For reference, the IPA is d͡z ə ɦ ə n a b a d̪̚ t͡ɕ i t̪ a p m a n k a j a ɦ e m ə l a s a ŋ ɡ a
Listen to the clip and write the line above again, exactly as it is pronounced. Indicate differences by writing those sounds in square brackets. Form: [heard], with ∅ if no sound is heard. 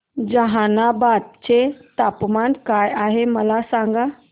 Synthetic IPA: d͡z ə ɦ [a] n a b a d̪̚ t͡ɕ [e] t̪ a p m a n k a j a ɦ e m ə l a s a ŋ ɡ a